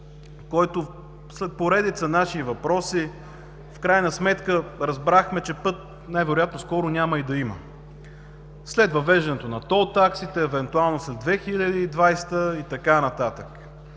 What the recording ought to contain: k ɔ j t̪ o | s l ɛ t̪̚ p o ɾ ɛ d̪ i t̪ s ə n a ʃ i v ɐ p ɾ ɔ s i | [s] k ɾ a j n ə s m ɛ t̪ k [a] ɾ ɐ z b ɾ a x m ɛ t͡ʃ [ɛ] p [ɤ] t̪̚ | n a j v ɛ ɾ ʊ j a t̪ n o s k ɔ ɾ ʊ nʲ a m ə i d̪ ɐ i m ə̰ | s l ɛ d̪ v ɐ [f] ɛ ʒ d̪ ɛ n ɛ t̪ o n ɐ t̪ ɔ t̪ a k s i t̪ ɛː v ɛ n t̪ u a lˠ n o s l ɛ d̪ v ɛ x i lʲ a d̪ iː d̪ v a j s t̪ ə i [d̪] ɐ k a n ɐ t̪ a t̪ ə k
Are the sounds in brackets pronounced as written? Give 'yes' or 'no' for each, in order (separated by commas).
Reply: no, no, yes, yes, no, no